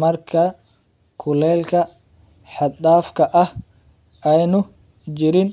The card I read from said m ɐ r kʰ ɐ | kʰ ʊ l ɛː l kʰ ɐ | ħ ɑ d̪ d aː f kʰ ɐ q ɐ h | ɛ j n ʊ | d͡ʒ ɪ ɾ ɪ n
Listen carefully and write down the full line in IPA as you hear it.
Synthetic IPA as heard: m ɐ r kʰ ɐ | kʰ ʊ l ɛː l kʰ ɐ | ħ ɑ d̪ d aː f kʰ ɐ ʔ ɐ h | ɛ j n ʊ | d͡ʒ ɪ ɾ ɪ n